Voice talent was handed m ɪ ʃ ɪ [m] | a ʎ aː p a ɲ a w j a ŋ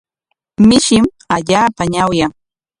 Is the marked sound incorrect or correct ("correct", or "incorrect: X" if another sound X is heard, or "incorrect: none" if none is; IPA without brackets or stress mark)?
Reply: correct